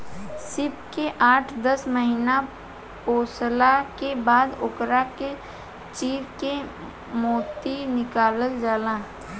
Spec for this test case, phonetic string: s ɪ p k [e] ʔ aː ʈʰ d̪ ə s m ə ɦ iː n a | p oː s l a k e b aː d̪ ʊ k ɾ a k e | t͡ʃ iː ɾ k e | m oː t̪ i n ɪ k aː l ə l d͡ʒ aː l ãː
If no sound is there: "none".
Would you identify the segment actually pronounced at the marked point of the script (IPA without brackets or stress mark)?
e